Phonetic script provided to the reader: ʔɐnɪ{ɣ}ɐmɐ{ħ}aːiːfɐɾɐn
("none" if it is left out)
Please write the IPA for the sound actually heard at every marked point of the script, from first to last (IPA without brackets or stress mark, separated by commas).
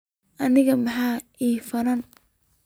ɣ, ħ